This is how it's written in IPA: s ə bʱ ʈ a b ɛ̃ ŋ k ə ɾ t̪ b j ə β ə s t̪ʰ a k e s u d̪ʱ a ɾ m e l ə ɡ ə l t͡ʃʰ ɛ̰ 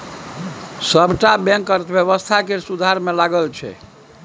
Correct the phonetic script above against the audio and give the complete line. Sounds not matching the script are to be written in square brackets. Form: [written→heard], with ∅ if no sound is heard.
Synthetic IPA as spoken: s ə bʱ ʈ a b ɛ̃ ŋ k ə ɾ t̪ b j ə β ə s t̪ʰ a k e s u d̪ʱ a ɾ m e l [ə→a] ɡ ə l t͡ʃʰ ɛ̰